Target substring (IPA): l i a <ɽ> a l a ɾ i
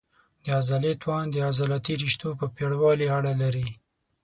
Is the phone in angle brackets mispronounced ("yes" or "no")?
no